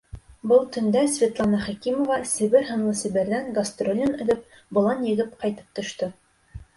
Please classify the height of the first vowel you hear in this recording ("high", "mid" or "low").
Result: mid